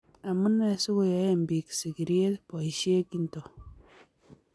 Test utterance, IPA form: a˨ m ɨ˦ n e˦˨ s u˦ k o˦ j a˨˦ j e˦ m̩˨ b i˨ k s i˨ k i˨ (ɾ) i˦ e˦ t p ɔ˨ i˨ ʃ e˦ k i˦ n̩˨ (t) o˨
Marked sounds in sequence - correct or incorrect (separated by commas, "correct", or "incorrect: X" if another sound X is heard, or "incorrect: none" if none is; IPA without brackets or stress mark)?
correct, correct